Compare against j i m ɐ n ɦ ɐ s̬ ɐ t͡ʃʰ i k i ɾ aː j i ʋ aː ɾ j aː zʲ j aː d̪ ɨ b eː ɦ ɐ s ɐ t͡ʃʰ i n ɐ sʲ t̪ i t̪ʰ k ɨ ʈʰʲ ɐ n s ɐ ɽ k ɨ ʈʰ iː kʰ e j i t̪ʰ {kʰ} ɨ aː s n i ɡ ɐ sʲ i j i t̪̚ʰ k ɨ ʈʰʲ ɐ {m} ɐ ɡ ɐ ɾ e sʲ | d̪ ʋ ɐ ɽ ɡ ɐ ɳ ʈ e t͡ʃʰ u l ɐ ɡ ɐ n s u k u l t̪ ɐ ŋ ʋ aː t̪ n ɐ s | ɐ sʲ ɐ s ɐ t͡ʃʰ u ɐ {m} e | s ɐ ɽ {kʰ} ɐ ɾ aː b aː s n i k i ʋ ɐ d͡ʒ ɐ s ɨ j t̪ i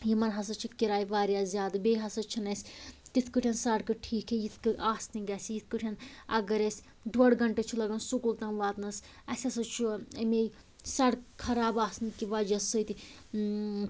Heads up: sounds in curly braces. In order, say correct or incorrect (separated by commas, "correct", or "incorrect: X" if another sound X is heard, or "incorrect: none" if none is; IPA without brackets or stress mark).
incorrect: k, incorrect: n, correct, correct